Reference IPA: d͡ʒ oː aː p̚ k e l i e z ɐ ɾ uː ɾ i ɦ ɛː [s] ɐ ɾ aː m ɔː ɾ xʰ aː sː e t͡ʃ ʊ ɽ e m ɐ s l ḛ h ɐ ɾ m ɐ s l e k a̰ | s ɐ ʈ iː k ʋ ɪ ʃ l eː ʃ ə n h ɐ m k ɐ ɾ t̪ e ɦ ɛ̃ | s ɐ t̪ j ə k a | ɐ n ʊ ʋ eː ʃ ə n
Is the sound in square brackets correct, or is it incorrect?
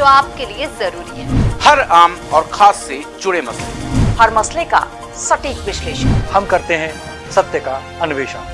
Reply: incorrect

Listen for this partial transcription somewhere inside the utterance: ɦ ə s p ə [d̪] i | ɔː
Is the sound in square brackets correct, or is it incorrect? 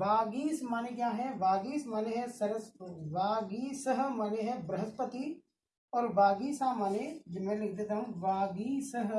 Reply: incorrect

